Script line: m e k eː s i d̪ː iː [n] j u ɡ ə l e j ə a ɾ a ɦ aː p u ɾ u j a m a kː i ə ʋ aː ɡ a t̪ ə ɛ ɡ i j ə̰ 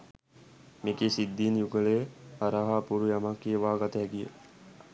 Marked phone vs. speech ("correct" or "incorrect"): correct